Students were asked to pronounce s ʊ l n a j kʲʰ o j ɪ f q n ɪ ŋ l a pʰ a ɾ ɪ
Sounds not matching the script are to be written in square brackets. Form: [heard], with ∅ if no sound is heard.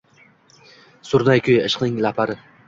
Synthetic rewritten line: s ʊ [ɾ] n a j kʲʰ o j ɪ [ʃ] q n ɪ ŋ l a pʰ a ɾ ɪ